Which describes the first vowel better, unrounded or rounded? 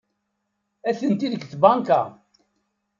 unrounded